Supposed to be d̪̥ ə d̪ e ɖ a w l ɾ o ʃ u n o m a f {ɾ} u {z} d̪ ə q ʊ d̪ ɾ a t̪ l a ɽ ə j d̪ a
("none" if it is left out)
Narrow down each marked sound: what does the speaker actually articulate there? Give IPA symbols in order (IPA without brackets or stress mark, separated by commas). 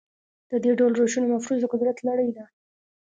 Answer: ɾ, z